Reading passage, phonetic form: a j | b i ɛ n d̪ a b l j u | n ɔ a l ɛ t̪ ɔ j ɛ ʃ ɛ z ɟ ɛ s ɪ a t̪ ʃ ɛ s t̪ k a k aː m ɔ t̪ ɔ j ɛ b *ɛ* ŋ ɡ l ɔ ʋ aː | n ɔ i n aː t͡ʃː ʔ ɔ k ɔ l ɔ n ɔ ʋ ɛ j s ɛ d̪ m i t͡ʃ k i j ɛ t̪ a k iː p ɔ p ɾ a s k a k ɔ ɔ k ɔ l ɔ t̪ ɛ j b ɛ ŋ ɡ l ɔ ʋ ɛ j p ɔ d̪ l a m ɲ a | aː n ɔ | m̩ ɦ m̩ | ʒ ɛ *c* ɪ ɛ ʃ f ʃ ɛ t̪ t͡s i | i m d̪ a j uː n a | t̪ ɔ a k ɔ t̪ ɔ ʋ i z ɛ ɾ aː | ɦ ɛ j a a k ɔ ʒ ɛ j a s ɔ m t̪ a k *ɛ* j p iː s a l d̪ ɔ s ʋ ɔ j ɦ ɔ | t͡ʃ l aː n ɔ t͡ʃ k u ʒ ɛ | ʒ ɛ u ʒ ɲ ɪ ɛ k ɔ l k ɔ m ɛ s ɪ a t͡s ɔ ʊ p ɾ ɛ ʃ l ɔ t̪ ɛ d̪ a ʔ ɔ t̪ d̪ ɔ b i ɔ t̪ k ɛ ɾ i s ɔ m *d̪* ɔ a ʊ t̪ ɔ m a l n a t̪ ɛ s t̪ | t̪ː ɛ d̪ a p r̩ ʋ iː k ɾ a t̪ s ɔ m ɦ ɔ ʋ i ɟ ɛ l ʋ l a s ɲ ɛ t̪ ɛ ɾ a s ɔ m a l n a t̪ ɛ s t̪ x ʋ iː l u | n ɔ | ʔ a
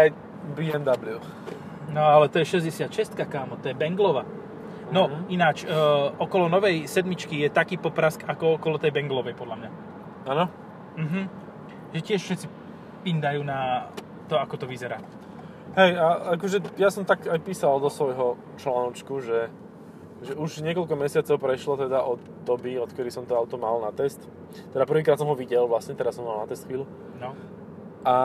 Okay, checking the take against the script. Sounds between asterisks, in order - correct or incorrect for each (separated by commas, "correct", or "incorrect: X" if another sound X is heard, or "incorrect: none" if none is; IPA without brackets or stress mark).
correct, correct, incorrect: a, incorrect: t̪